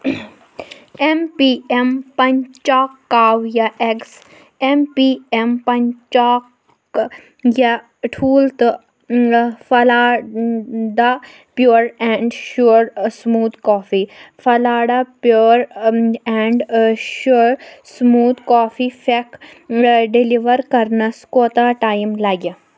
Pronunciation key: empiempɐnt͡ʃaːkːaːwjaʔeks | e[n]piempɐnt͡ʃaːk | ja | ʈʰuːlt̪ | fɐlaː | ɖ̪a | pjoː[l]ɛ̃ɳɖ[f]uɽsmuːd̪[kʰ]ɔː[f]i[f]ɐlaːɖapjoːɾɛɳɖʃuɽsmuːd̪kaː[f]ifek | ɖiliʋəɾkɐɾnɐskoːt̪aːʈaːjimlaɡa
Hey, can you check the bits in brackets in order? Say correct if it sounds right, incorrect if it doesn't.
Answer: incorrect: m, incorrect: ɾ, incorrect: ʃ, incorrect: k, correct, correct, correct

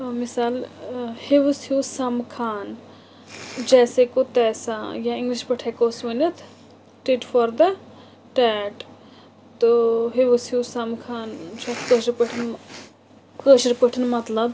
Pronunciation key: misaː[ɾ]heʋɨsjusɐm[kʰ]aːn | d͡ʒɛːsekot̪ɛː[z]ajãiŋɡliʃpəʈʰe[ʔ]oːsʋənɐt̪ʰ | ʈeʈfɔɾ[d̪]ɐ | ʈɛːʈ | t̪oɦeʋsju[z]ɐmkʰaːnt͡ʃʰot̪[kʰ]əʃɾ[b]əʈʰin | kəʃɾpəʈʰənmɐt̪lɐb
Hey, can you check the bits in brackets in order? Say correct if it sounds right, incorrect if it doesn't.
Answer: incorrect: l, correct, incorrect: s, incorrect: k, correct, incorrect: s, incorrect: k, incorrect: p

